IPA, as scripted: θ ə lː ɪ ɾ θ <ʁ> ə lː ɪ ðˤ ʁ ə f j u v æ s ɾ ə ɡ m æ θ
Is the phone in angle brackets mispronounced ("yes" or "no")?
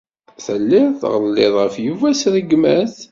no